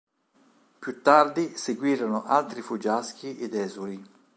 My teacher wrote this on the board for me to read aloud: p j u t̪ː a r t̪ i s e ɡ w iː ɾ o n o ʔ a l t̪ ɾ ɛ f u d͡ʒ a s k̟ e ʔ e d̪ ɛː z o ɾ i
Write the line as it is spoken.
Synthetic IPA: p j u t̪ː a r d̪ i s e ɡ w iː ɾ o n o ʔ a l t̪ ɾ i f u d͡ʒ a s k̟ i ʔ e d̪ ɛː z u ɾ i